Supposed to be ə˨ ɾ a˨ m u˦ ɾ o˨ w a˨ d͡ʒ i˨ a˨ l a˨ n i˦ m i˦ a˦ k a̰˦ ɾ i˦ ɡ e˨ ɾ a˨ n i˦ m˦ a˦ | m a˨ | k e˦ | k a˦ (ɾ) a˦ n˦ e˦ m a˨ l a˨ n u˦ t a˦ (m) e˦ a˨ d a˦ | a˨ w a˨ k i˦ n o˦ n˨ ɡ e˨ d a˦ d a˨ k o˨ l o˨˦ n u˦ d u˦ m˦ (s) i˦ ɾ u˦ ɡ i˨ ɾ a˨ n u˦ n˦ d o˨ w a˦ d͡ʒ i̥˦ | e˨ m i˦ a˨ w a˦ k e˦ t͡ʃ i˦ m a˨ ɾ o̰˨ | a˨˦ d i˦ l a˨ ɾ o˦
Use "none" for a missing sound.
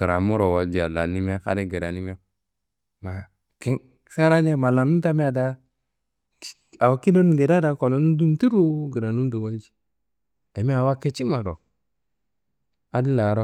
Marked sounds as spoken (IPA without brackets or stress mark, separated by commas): ɾ, m, t